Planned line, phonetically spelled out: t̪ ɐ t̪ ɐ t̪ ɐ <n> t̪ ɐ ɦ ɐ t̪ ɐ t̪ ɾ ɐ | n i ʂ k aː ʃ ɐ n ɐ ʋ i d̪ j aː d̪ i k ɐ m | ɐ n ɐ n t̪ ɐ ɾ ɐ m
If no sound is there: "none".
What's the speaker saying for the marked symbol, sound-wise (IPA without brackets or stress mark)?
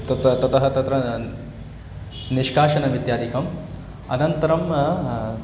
none